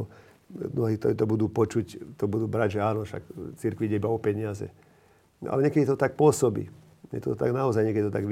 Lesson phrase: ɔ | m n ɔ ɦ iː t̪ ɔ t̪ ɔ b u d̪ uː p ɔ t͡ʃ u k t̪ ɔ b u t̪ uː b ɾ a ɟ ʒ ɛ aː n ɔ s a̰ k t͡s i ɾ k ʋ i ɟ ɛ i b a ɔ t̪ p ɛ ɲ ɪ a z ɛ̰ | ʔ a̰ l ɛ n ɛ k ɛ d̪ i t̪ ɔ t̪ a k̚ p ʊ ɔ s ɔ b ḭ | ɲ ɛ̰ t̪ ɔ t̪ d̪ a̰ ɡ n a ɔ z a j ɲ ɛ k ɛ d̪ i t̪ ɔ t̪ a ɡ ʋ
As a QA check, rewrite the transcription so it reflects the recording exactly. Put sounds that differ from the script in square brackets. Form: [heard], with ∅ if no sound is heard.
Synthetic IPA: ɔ | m n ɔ ɦ iː t̪ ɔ t̪ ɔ b u d̪ uː p ɔ t͡ʃ u [c] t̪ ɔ b u [d̪] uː b ɾ a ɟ ʒ ɛ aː n ɔ [ʃ] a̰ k t͡s i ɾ k ʋ i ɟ ɛ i b a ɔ [∅] p ɛ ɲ ɪ a z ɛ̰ | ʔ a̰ l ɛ [ɲ] ɛ k ɛ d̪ i t̪ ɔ t̪ a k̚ p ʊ ɔ s ɔ b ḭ | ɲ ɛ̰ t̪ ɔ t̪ [t̪] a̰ ɡ n a ɔ z a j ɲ ɛ k ɛ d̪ i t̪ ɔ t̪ a ɡ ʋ